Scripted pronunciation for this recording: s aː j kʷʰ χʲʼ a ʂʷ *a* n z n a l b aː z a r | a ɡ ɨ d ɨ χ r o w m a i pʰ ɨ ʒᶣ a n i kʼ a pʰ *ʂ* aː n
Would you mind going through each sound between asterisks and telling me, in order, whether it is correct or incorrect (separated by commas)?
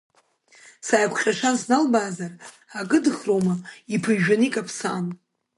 correct, incorrect